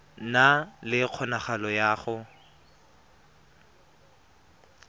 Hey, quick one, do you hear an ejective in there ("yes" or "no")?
no